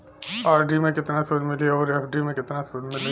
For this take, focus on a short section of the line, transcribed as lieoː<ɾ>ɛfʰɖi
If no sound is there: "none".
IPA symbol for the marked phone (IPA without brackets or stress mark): ɾ